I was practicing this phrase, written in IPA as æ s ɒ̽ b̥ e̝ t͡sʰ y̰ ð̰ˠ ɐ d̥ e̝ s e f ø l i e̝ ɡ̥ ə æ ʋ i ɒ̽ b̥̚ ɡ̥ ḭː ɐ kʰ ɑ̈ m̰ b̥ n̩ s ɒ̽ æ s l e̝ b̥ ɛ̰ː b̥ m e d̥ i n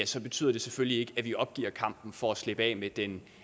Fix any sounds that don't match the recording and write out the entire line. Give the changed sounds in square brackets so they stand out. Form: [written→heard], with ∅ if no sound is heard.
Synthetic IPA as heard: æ s ɒ̽ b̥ e̝ t͡sʰ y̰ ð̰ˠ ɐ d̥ e̝ s e f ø l i e̝ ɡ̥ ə æ ʋ i ɒ̽ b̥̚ ɡ̥ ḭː ɐ kʰ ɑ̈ m̰ b̥ n̩ [s→f] ɒ̽ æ s l e̝ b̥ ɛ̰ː [b̥→∅] m e d̥ [i→e] n

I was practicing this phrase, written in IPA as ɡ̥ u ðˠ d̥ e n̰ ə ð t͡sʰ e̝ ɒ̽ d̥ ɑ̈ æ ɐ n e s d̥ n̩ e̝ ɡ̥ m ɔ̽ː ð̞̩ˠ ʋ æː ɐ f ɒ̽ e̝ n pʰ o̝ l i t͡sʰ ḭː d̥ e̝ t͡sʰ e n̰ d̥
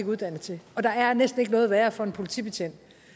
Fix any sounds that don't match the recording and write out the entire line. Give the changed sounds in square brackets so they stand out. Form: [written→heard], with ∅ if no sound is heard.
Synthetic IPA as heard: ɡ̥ u ðˠ d̥ [e→æ] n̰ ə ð t͡sʰ e̝ ɒ̽ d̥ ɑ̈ æ ɐ n e s d̥ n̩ e̝ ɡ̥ [m→n] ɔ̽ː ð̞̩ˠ ʋ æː ɐ f ɒ̽ e̝ n pʰ o̝ l i t͡sʰ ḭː [d̥→b̥] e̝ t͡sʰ e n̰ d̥

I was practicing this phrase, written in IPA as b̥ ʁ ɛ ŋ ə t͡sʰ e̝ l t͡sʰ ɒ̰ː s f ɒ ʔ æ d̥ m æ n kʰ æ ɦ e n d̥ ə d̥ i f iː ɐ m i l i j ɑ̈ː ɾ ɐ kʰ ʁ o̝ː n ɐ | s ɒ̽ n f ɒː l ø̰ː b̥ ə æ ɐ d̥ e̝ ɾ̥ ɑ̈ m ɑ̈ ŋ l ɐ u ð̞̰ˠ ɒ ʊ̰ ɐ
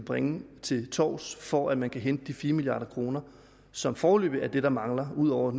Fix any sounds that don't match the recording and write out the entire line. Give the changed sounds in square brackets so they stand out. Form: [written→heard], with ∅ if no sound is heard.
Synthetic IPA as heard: b̥ ʁ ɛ ŋ ə t͡sʰ e̝ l t͡sʰ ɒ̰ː s f ɒ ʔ æ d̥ m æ n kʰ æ ɦ e n d̥ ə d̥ i f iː ɐ m i l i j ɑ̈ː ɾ ɐ kʰ ʁ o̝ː n ɐ | s ɒ̽ [n→m] f ɒː l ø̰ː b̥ ə æ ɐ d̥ e̝ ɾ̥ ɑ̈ m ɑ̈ ŋ l ɐ u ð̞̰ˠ ɒ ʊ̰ ɐ

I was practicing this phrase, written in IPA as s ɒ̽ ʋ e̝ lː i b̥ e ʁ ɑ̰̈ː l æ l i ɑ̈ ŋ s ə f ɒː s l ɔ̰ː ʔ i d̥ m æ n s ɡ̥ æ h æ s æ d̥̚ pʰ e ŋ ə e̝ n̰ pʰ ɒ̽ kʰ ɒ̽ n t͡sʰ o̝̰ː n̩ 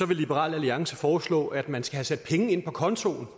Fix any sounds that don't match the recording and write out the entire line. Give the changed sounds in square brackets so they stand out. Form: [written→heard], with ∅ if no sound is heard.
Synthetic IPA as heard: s ɒ̽ ʋ e̝ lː i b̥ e ʁ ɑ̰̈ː l æ l i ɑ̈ ŋ s ə f ɒː s l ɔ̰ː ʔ [i→æ] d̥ m æ n s ɡ̥ æ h æ s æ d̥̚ pʰ e ŋ ə e̝ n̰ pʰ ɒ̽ kʰ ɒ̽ n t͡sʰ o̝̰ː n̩

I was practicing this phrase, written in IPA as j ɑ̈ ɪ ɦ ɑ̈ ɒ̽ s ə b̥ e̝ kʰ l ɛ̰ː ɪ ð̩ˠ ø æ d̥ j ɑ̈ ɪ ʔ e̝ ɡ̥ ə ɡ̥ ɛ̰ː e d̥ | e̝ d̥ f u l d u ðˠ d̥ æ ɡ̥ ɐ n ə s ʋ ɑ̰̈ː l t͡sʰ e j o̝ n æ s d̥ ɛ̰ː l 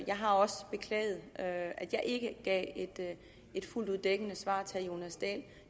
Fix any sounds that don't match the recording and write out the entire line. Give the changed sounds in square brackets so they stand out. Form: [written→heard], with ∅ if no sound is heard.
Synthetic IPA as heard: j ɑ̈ ɪ ɦ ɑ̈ ɒ̽ s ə b̥ e̝ kʰ l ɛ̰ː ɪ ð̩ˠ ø æ d̥ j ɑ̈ ɪ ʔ e̝ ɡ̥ ə ɡ̥ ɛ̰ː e d̥ | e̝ d̥ f u l d u ðˠ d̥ [æ→e] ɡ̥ [ɐ→ə] n ə s ʋ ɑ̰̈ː [l→∅] t͡sʰ e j o̝ n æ s d̥ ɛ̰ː l

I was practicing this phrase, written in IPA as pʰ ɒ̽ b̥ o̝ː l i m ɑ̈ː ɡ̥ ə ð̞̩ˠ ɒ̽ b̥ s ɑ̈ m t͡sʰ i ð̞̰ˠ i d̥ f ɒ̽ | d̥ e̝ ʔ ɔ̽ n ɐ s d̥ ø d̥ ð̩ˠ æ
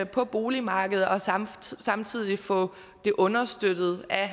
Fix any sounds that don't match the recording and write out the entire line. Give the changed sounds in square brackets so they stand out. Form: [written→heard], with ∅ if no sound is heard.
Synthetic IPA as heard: pʰ ɒ̽ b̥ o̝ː l i m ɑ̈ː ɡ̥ ə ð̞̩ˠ ɒ̽ [b̥→∅] s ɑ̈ m t͡sʰ i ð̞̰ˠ i [d̥→∅] f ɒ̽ | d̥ e̝ ʔ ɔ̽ n ɐ s d̥ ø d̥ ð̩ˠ æ

